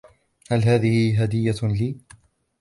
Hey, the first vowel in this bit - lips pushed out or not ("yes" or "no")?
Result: no